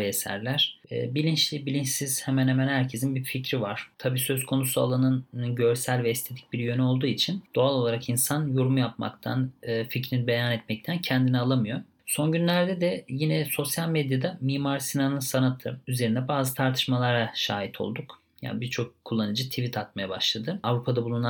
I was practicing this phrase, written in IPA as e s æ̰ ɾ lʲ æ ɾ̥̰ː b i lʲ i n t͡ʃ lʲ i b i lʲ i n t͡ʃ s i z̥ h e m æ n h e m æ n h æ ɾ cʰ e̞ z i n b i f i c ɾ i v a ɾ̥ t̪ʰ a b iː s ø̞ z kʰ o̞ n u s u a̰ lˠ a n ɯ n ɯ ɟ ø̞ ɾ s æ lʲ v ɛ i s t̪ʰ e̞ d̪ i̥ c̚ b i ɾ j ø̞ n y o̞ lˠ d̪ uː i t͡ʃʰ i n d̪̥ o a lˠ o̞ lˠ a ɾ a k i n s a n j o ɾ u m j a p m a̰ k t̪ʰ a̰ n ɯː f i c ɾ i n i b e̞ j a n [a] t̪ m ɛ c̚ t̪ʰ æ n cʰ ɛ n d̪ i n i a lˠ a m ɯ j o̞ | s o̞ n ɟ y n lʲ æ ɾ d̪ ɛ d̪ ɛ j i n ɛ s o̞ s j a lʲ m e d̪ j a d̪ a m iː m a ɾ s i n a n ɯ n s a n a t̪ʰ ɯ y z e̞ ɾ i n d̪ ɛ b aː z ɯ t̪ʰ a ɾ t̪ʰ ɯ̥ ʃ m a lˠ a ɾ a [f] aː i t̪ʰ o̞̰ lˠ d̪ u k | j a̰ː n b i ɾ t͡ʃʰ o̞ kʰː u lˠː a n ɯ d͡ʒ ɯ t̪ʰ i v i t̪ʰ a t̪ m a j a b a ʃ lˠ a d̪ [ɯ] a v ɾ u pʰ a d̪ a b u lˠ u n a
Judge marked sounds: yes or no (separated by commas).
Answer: no, no, yes